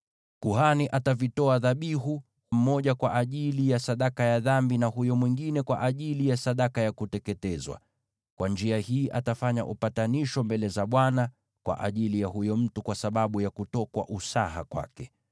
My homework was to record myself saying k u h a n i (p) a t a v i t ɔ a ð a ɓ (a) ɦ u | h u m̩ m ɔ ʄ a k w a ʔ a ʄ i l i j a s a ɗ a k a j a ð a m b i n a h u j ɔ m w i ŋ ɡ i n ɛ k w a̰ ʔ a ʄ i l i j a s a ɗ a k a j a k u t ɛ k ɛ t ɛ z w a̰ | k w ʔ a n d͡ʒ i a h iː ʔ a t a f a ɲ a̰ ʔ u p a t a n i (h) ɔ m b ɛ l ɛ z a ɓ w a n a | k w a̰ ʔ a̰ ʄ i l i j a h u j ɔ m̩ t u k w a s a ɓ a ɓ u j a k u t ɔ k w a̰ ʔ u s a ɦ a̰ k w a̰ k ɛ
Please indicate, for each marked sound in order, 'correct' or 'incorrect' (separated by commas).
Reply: incorrect, incorrect, incorrect